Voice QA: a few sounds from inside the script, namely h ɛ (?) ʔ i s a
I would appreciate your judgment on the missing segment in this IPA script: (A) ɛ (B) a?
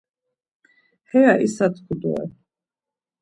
B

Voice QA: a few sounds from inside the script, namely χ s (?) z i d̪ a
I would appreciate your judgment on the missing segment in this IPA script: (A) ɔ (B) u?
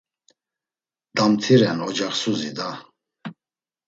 B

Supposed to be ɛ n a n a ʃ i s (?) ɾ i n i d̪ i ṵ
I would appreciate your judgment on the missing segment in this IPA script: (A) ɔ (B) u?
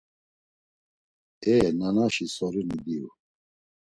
A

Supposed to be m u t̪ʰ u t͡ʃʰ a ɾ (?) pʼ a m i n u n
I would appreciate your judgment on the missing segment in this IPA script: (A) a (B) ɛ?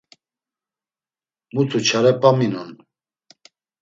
B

